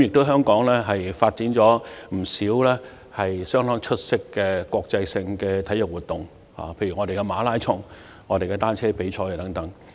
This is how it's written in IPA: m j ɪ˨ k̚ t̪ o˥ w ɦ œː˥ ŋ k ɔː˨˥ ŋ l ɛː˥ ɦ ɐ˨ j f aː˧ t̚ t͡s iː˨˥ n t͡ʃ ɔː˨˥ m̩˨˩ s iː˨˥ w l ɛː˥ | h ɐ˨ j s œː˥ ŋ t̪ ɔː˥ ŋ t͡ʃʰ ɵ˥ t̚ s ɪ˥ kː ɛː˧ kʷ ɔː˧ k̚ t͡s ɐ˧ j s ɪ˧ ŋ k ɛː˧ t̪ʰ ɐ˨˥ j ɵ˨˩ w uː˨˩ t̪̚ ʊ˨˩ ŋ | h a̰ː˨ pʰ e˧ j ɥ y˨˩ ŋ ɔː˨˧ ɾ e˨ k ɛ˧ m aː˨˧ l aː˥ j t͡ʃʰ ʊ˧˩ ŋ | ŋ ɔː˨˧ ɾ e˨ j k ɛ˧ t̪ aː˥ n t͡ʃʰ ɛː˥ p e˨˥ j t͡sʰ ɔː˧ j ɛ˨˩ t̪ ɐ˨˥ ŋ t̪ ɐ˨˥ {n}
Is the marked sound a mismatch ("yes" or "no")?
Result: yes